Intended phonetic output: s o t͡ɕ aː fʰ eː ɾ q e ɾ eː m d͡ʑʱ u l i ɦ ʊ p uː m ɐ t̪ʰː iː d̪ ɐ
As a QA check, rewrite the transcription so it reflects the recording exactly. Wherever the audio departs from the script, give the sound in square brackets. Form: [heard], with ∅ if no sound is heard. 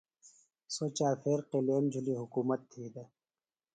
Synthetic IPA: s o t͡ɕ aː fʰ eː ɾ q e [l] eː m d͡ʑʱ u l i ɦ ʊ [k] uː m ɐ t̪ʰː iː d̪ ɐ